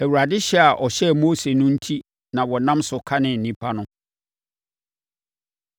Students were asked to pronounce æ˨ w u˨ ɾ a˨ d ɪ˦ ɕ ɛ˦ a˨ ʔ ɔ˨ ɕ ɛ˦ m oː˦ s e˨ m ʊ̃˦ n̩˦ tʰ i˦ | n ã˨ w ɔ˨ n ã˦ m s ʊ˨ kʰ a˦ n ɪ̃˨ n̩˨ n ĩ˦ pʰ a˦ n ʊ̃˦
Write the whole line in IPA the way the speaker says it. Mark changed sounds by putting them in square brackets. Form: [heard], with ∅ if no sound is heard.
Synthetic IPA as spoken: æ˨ w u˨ ɾ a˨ d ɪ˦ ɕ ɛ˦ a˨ ʔ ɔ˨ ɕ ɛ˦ m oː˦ s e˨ [n] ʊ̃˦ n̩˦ tʰ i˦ | n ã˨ w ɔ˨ n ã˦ m s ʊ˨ kʰ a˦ n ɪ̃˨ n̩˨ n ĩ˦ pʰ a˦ n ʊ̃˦